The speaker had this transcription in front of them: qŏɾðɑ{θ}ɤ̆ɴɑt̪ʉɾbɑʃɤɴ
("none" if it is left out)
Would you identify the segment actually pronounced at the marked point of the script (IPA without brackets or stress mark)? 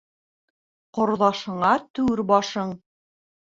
ʃ